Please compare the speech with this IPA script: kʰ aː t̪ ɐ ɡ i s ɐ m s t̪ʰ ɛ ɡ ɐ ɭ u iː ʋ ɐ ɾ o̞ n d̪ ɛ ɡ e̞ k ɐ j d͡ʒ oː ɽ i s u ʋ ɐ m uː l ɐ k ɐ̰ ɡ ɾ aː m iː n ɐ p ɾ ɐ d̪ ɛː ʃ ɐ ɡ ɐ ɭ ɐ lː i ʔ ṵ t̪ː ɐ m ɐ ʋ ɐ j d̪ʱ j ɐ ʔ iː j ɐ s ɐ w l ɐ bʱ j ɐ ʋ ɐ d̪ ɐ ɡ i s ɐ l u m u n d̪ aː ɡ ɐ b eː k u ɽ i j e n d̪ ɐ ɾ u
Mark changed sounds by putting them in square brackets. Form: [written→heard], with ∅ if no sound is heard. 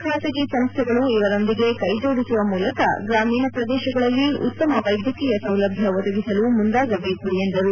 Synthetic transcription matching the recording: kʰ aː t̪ ɐ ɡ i s ɐ m s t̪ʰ ɛ ɡ ɐ ɭ u [iː→i] ʋ ɐ ɾ o̞ n d̪ [ɛ→i] ɡ e̞ k ɐ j d͡ʒ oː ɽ i s u ʋ ɐ m uː l ɐ k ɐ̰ ɡ ɾ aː m iː n ɐ p ɾ ɐ d̪ ɛː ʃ ɐ ɡ ɐ ɭ ɐ lː i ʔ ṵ t̪ː ɐ m ɐ ʋ ɐ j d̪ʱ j ɐ [ʔ→k] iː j ɐ s ɐ w l ɐ bʱ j ɐ ʋ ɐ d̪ ɐ ɡ i s ɐ l u m u n d̪ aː ɡ ɐ b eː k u ɽ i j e n d̪ ɐ ɾ u

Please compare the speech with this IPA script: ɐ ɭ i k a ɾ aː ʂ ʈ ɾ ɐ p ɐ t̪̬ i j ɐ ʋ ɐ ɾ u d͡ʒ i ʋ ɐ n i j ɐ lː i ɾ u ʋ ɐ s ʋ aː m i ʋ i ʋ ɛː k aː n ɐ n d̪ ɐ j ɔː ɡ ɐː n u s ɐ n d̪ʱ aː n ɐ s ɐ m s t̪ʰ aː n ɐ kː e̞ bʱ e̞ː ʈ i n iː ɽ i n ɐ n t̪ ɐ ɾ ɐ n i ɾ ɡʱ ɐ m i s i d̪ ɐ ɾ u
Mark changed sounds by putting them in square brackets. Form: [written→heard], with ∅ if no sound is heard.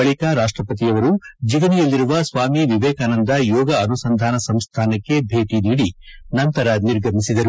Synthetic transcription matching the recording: ɐ ɭ i k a ɾ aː ʂ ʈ ɾ ɐ p ɐ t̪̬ i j ɐ ʋ ɐ ɾ u d͡ʒ i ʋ ɐ n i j ɐ lː i ɾ u ʋ ɐ s ʋ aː m i ʋ i ʋ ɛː k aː n ɐ n d̪ ɐ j ɔː ɡ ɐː n u s ɐ n d̪ʱ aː n ɐ s ɐ m s t̪ʰ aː n ɐ kː e̞ bʱ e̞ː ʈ i n iː ɽ i n ɐ n t̪ ɐ ɾ ɐ n i ɾ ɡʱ ɐ m i s i d̪ ɐ ɾ u

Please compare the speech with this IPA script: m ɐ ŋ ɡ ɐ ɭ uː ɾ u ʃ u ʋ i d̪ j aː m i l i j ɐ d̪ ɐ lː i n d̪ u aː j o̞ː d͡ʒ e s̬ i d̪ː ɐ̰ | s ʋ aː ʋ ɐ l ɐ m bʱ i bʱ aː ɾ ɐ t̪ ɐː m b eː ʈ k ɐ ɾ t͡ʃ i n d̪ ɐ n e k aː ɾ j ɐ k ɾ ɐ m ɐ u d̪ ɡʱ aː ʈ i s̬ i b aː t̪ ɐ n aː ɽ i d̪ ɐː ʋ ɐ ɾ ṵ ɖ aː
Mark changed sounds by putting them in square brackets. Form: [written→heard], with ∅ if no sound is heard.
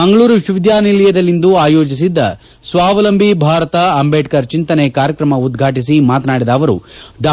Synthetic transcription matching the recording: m ɐ ŋ ɡ ɐ ɭ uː ɾ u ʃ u ʋ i d̪ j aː [m→n] i l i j ɐ d̪ ɐ lː i n d̪ u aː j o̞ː d͡ʒ [e→i] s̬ i d̪ː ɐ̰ | s ʋ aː ʋ ɐ l ɐ m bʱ i bʱ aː ɾ ɐ t̪ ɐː m b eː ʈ k ɐ ɾ t͡ʃ i n [d̪→t̪] ɐ n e k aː ɾ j ɐ k ɾ ɐ m ɐ u d̪ ɡʱ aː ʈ i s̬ i [b→m] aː t̪ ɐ n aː ɽ i d̪ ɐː ʋ ɐ ɾ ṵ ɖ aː

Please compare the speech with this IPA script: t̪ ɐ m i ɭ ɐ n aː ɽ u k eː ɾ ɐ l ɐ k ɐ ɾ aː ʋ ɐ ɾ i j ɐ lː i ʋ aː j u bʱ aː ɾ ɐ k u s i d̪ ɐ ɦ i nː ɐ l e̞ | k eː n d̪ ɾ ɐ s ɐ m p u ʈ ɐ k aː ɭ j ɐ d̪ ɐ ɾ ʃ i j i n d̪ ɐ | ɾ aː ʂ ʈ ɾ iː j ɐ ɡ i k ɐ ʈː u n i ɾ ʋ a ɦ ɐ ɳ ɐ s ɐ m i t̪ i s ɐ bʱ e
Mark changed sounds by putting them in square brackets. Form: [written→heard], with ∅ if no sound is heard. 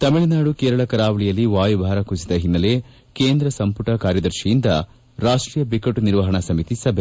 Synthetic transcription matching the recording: t̪ ɐ m i ɭ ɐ n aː ɽ u k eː ɾ ɐ [l→ɭ] ɐ k ɐ ɾ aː ʋ ɐ [ɾ→ɭ] i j ɐ lː i ʋ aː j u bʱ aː ɾ ɐ k u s i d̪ ɐ ɦ i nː ɐ l e̞ | k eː n d̪ ɾ ɐ s ɐ m p u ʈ ɐ k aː [ɭ→ɾ] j ɐ d̪ ɐ ɾ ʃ i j i n d̪ ɐ | ɾ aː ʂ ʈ ɾ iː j ɐ [ɡ→b] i k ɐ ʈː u n i ɾ ʋ [a→ɐ] ɦ ɐ ɳ ɐ s ɐ m i t̪ i s ɐ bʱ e

